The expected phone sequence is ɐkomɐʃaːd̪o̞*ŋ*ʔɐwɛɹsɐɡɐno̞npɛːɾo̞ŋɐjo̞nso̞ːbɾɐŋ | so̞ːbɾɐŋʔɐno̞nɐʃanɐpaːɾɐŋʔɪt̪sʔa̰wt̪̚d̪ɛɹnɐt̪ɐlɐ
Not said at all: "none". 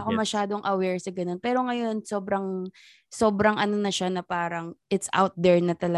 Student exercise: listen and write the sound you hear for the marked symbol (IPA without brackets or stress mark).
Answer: ŋ